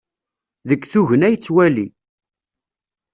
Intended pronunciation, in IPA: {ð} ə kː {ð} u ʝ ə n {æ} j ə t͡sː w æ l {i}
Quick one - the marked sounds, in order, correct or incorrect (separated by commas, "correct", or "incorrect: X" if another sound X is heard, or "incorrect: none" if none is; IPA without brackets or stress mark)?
correct, incorrect: θ, correct, correct